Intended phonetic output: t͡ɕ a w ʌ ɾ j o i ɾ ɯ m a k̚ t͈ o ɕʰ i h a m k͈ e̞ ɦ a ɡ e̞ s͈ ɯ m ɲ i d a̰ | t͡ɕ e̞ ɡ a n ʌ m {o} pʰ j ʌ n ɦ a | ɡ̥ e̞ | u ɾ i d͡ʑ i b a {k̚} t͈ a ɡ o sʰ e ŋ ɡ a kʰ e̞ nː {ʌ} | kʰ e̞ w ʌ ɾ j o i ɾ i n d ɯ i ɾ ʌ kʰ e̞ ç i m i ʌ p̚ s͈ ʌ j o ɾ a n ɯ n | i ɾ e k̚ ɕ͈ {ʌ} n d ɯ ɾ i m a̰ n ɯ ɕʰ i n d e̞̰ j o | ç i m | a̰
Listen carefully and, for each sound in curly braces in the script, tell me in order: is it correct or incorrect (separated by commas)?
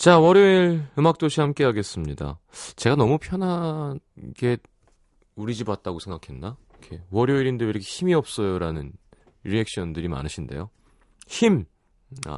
incorrect, incorrect, incorrect, correct